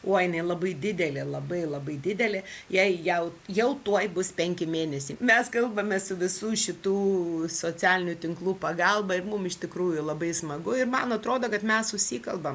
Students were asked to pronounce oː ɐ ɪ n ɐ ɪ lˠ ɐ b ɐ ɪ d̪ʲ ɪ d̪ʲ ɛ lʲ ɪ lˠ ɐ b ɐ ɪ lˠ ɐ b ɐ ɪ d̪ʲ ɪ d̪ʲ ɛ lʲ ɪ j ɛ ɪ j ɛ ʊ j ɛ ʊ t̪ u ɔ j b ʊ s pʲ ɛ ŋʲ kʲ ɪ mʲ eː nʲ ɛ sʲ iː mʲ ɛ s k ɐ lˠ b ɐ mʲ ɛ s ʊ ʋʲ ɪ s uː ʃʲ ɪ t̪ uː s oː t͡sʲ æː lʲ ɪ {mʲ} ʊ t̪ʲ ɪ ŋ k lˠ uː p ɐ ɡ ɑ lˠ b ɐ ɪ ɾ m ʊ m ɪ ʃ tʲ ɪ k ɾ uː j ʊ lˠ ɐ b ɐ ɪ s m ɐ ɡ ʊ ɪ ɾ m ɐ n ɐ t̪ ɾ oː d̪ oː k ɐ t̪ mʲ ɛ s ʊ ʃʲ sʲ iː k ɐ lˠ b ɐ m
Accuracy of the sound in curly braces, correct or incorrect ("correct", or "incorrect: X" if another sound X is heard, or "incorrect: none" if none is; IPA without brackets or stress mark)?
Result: incorrect: nʲ